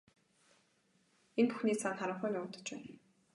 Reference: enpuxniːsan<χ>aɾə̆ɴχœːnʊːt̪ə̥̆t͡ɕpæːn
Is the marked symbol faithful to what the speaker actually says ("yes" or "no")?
yes